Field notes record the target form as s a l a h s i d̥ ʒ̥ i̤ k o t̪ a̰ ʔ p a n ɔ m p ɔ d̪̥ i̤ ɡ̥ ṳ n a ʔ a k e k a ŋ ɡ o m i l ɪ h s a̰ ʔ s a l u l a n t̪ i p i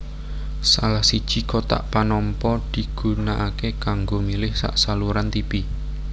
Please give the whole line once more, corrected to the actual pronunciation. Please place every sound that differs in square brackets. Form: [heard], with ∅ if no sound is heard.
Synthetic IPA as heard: s a l a h s i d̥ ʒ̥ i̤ k o t̪ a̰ ʔ p a n ɔ m p ɔ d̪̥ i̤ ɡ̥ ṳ n a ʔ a k e k a ŋ ɡ o m i l ɪ h s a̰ ʔ s a l u [ɾ] a n t̪ i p i